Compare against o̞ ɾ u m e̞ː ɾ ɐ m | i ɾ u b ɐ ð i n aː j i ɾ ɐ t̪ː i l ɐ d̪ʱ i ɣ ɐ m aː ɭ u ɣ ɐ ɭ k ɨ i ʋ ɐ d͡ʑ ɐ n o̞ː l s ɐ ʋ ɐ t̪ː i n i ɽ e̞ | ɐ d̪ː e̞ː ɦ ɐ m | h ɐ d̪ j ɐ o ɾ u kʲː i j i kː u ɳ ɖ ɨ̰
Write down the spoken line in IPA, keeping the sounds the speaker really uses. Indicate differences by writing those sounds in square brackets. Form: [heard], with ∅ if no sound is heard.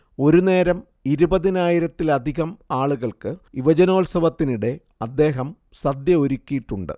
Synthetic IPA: o̞ ɾ u [n] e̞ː ɾ ɐ m | i ɾ u b ɐ ð i n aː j i ɾ ɐ t̪ː i l ɐ d̪ʱ i ɣ ɐ m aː ɭ u ɣ ɐ ɭ k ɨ i ʋ ɐ d͡ʑ ɐ n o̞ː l s ɐ ʋ ɐ t̪ː i n i ɽ e̞ | ɐ d̪ː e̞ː ɦ ɐ m | [s] ɐ d̪ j ɐ o ɾ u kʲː i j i [ʈː] u ɳ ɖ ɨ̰